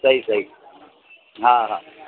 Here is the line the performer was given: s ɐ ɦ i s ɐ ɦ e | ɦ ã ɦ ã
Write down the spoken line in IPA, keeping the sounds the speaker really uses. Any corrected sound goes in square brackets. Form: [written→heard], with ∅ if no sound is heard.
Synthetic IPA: s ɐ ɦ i s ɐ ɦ [e→i] | ɦ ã ɦ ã